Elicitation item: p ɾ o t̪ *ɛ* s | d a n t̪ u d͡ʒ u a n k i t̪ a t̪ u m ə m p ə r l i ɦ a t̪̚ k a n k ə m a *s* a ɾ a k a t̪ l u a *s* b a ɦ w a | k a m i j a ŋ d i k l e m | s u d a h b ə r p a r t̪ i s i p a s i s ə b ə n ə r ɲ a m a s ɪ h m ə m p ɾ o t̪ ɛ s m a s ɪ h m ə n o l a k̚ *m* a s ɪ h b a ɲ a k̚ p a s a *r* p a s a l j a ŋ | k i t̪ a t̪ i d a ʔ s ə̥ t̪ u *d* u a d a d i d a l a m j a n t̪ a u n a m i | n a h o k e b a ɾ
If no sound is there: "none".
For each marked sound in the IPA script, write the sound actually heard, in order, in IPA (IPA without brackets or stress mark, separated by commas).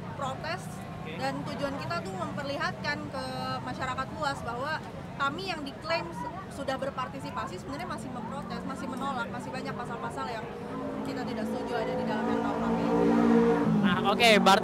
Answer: ɛ, ʃ, s, m, l, d͡ʒ